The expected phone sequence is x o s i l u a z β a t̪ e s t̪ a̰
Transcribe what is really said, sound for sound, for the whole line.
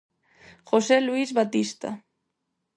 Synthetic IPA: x o s e l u i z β a t̪ i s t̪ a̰